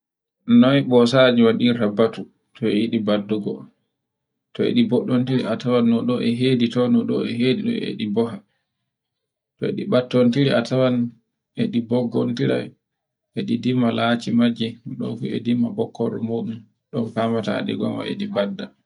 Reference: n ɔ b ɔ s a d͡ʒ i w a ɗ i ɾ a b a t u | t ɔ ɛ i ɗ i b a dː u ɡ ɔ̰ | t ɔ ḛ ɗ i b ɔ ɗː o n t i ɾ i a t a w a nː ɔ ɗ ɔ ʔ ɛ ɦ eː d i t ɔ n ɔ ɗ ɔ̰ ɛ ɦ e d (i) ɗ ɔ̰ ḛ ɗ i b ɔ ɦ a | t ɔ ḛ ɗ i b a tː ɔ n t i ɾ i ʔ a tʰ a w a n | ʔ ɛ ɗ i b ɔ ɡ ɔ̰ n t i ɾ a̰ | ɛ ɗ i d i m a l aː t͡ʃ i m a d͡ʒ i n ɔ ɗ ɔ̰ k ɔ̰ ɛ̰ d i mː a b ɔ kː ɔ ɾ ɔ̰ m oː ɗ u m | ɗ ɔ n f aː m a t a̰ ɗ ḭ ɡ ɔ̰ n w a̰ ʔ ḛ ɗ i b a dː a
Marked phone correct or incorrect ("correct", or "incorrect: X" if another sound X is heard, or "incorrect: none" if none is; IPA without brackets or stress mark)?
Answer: correct